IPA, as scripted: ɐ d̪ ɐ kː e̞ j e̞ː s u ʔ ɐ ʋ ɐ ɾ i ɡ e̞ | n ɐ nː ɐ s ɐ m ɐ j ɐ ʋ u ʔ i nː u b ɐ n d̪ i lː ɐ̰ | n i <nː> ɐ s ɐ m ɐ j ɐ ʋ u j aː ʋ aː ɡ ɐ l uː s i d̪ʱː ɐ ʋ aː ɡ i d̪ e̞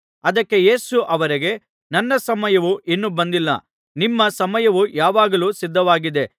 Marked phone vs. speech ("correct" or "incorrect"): incorrect